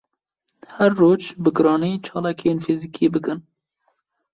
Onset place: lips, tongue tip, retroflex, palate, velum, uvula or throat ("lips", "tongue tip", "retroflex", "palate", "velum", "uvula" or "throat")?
throat